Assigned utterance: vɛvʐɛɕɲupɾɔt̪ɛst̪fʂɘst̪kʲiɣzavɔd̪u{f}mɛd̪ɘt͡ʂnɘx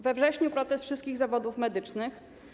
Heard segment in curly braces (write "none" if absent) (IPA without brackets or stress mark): f